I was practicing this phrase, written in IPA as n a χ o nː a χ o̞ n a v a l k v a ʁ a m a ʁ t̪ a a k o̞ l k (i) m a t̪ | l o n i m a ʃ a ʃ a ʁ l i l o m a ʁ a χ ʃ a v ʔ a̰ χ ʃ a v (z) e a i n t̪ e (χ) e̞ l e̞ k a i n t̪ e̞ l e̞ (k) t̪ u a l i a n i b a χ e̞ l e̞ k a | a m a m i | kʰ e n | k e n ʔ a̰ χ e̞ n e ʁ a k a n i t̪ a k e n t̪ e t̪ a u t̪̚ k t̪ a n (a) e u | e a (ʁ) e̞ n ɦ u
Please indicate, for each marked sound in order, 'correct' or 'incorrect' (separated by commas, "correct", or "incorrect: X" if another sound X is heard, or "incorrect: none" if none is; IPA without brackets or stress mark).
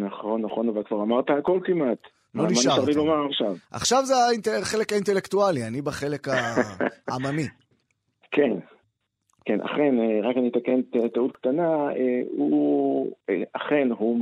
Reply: correct, correct, correct, correct, correct, incorrect: χ